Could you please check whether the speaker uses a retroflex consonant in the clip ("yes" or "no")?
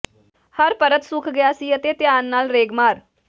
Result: no